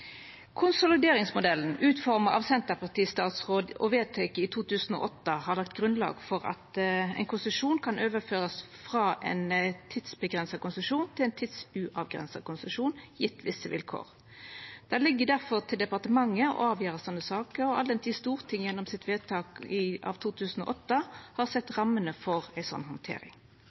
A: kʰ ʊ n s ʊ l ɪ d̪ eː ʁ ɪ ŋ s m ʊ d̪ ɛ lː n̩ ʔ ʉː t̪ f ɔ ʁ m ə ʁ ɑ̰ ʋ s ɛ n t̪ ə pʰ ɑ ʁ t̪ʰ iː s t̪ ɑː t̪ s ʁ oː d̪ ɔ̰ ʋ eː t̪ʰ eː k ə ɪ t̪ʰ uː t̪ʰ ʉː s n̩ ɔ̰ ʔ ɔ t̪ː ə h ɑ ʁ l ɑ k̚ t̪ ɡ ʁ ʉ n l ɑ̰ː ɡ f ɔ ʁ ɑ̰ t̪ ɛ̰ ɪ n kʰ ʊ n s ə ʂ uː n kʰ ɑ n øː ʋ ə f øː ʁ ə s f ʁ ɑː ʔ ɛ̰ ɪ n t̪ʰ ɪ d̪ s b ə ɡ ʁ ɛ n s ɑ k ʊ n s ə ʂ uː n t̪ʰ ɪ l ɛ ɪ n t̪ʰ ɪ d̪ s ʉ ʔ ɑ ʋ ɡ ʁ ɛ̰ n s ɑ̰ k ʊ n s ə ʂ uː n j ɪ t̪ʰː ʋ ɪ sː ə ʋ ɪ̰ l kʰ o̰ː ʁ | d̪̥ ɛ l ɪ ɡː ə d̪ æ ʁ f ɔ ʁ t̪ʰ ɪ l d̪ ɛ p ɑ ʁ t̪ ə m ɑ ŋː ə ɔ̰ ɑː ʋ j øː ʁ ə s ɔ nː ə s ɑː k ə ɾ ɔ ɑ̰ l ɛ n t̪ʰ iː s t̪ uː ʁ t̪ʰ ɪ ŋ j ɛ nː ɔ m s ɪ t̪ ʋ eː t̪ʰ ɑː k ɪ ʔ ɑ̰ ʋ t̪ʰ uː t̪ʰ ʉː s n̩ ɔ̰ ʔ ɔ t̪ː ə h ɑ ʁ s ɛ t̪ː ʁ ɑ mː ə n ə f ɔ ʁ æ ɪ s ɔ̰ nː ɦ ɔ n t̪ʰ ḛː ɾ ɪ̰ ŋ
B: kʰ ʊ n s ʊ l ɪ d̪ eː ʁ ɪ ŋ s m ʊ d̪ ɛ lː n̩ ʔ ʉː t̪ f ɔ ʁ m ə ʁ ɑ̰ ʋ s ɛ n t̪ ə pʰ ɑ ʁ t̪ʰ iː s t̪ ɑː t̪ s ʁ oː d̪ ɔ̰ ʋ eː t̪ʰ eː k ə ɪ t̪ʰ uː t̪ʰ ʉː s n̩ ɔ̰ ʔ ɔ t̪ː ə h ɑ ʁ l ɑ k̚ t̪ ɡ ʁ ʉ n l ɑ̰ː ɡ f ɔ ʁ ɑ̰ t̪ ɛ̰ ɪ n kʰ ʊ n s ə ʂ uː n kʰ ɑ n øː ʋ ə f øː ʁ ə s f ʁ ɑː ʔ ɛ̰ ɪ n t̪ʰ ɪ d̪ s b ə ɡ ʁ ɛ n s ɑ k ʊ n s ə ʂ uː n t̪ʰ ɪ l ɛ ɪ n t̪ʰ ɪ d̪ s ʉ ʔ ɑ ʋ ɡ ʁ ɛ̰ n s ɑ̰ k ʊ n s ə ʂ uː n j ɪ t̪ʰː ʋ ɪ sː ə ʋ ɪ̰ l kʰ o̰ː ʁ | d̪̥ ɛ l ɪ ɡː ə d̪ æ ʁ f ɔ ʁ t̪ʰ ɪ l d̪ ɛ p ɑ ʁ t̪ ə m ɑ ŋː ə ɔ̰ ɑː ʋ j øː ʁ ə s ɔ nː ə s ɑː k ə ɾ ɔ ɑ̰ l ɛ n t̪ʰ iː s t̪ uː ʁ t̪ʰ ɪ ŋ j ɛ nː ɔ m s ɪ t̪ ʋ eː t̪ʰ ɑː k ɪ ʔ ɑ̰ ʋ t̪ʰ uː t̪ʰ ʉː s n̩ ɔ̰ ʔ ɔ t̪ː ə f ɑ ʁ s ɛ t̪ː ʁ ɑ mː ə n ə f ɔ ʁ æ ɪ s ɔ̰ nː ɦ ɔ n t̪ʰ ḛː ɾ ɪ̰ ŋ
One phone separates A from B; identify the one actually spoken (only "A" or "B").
A